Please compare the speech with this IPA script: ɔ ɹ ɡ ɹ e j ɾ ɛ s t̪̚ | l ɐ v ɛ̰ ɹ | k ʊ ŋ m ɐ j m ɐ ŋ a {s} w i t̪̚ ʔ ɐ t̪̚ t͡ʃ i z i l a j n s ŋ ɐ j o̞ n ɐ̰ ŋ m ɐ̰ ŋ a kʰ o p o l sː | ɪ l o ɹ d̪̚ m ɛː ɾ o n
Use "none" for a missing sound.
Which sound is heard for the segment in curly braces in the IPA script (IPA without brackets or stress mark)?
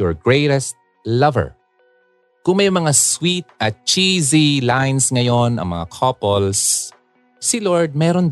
s